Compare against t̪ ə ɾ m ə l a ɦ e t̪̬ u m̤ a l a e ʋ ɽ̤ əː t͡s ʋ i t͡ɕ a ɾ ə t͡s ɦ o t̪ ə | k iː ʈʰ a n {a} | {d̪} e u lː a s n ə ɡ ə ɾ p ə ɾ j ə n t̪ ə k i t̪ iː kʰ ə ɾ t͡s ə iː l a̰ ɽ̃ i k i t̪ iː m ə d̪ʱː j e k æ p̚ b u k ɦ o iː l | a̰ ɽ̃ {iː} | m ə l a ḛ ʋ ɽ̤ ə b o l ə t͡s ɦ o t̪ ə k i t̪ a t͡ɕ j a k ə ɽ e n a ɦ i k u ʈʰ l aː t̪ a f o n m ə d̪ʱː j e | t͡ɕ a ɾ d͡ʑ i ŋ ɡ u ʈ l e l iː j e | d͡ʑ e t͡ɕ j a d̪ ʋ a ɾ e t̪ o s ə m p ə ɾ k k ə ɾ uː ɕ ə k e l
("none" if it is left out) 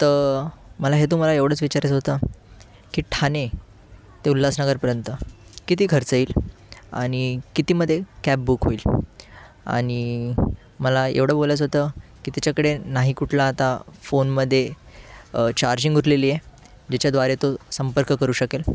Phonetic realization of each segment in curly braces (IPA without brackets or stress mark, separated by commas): e, t̪, i